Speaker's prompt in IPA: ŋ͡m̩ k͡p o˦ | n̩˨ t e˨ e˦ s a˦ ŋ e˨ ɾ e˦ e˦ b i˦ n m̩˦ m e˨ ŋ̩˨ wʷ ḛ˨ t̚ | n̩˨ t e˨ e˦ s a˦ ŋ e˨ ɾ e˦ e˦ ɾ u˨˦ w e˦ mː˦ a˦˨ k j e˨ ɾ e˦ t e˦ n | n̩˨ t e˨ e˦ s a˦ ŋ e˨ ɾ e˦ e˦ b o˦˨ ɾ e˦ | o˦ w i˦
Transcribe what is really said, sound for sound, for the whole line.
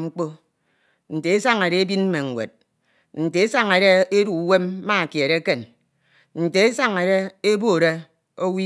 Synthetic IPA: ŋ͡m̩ k͡p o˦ | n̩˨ t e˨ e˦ s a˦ ŋ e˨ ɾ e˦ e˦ b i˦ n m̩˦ m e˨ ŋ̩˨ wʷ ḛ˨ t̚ | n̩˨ t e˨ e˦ s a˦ ŋ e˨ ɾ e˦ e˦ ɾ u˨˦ w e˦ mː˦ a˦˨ k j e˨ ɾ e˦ k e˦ n | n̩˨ t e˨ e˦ s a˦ ŋ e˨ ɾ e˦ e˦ b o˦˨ ɾ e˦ | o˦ w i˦